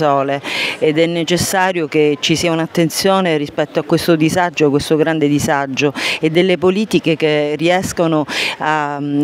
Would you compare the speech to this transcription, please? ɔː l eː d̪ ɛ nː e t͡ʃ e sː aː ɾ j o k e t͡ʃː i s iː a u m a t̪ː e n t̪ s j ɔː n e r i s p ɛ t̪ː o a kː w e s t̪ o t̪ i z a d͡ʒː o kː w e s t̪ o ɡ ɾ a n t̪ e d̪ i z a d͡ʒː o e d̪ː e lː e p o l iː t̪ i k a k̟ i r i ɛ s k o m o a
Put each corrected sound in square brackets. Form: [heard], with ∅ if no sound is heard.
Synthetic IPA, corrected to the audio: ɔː l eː d̪ ɛ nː e t͡ʃ e sː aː ɾ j o k e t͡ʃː i s iː a u [n] a t̪ː e n t̪ s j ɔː n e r i s p ɛ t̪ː o a kː w e s t̪ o [d̪] i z a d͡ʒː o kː w e s t̪ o ɡ ɾ a n [d̪] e d̪ i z a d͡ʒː o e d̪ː e lː e p o l iː t̪ i k [e] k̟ [e] r i ɛ s k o [n] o a